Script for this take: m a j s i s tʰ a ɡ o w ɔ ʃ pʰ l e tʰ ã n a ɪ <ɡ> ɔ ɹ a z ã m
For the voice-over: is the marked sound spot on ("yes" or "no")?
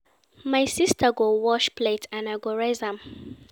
yes